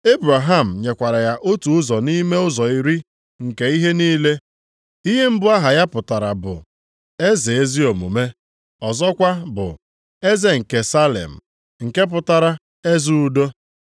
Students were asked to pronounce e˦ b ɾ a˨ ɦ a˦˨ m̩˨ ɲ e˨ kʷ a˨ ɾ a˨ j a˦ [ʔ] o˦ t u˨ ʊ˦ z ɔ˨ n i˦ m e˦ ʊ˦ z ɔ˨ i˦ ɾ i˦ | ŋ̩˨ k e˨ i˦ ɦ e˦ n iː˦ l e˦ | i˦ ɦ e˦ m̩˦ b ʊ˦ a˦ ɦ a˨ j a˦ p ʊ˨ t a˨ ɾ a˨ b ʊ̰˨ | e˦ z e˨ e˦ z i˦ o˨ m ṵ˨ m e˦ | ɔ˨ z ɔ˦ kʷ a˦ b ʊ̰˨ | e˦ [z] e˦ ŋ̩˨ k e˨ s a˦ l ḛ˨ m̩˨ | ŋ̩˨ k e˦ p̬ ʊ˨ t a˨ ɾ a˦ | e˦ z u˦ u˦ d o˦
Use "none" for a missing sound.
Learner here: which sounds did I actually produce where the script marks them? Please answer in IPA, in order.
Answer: ʔ, z

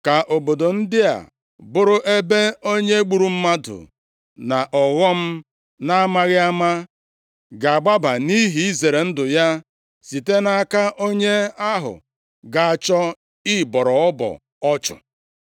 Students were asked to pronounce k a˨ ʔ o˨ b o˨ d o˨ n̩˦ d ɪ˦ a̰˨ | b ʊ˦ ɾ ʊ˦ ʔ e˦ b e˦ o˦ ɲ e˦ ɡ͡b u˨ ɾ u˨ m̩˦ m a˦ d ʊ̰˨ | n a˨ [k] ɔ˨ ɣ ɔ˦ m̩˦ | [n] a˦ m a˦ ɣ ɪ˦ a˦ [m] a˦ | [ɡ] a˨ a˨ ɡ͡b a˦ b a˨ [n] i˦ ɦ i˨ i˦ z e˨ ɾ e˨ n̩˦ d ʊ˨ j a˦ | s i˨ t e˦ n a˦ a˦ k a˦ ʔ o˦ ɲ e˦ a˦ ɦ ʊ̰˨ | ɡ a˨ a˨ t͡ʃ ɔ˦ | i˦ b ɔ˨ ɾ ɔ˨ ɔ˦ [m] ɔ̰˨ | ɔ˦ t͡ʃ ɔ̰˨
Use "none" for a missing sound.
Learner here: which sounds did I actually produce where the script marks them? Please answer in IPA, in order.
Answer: ʔ, n, m, ɡ, n, b

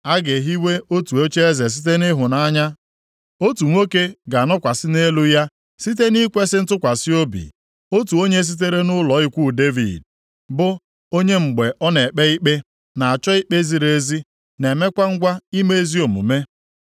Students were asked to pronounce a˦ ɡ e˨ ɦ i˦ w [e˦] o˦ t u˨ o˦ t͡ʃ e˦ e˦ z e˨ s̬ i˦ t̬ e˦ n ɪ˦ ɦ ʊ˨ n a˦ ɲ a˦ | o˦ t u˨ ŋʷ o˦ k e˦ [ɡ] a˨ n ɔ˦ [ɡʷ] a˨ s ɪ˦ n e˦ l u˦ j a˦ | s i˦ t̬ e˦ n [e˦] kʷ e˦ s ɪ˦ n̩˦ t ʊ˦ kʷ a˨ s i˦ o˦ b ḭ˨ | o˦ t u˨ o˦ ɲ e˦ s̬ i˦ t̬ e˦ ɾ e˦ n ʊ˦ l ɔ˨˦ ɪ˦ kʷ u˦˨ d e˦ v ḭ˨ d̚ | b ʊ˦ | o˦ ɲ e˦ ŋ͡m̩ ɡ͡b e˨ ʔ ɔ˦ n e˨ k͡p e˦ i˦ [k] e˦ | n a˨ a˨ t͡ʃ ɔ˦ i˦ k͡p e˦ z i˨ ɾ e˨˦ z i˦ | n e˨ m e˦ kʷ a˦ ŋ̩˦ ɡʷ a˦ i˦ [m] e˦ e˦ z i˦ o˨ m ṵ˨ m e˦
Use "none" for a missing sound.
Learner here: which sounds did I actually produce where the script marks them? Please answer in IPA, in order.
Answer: e˦, ɡ, kʷ, i˦, k͡p, m

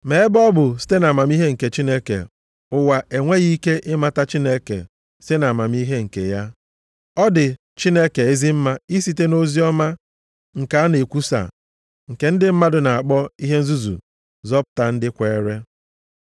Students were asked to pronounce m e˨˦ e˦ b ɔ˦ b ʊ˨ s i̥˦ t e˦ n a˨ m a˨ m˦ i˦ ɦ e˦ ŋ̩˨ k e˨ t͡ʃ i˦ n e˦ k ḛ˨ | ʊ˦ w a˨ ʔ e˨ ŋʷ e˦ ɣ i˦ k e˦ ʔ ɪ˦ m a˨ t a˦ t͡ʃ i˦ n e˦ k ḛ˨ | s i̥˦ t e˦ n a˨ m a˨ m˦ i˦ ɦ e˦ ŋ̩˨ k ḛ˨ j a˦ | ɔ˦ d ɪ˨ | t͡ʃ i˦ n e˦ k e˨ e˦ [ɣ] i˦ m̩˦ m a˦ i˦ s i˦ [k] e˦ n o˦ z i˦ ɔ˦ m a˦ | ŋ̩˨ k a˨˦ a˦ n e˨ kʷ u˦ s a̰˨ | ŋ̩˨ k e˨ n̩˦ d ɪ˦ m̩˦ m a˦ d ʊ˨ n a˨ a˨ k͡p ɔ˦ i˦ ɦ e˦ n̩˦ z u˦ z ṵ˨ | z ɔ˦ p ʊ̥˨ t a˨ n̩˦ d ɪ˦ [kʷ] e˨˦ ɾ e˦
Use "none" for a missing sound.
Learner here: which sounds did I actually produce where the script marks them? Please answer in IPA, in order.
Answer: z, t, kʷ

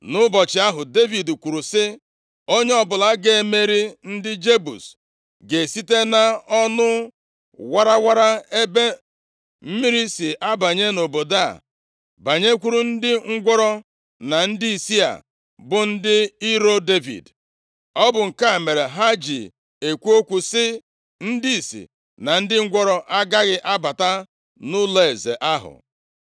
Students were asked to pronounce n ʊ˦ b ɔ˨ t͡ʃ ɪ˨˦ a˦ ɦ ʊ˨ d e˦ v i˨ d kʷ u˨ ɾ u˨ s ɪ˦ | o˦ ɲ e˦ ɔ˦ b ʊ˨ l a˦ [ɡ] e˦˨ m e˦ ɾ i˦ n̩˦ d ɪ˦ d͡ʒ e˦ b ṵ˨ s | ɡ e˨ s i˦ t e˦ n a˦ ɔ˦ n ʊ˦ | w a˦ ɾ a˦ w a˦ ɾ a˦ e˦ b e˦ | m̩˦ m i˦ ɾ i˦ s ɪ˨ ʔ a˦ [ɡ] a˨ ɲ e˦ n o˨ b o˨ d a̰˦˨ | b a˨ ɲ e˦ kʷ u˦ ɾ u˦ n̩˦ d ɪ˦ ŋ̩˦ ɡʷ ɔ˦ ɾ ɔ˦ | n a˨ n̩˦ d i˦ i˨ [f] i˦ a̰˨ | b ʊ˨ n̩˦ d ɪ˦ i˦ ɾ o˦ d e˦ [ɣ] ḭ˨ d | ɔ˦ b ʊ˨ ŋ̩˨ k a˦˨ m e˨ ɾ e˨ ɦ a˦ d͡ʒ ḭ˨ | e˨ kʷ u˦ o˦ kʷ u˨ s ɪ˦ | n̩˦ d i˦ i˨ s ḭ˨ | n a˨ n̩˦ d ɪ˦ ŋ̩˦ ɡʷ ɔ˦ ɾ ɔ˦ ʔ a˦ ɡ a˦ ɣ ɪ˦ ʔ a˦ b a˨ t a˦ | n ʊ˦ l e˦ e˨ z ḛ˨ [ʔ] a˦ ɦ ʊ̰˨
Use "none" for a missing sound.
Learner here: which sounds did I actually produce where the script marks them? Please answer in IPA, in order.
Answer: ɡ, b, s, v, ʔ

